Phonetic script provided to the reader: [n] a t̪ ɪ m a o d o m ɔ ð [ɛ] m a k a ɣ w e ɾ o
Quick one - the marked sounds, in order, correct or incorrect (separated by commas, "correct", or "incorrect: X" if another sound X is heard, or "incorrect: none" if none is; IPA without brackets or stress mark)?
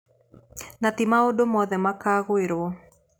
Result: correct, correct